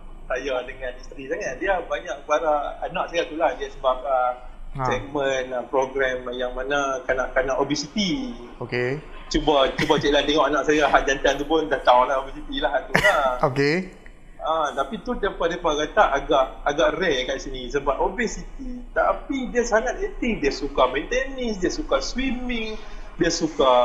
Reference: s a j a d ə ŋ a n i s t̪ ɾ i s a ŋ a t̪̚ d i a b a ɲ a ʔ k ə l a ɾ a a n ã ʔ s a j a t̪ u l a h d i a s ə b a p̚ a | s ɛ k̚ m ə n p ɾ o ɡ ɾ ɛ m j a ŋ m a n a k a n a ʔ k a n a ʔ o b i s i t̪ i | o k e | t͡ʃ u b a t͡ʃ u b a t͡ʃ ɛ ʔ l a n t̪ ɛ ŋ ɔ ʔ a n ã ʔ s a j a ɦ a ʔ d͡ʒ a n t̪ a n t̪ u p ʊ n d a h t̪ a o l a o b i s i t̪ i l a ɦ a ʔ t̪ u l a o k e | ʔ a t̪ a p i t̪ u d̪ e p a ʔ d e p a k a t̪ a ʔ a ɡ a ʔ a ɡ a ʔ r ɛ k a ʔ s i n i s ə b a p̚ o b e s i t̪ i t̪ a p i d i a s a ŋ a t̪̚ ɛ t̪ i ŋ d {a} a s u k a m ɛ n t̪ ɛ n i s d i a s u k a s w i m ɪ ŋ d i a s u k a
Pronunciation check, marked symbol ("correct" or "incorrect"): incorrect